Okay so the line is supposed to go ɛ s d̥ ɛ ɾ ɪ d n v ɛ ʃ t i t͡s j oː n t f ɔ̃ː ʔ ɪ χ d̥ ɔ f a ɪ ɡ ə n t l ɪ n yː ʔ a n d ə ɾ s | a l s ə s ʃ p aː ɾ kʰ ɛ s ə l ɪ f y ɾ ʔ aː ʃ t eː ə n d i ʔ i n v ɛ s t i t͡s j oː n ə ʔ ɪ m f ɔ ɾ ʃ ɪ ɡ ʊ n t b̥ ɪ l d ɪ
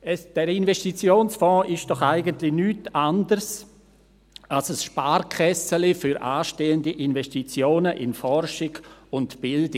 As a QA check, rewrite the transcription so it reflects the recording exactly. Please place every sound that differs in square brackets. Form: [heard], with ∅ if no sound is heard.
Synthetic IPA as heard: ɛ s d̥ ɛ ɾ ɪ [∅] n v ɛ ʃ t i t͡s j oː n [s] f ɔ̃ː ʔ ɪ [ʃ] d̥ ɔ [χ] a ɪ ɡ ə n t l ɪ n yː [t] a n d ə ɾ s | a l s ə s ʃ p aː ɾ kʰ ɛ s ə l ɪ f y ɾ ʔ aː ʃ t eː ə n d i ʔ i n v ɛ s t i t͡s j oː n ə ʔ ɪ [n] f ɔ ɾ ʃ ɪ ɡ ʊ n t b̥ ɪ l d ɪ